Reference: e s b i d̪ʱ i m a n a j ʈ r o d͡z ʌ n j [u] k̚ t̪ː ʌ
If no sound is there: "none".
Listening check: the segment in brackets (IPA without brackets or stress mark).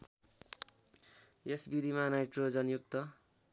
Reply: u